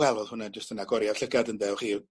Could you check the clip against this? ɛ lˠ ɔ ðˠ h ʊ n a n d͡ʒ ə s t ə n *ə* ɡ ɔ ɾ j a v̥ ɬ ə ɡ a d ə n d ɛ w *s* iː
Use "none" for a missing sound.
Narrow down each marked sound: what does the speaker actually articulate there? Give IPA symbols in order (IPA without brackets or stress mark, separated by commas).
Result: a, χ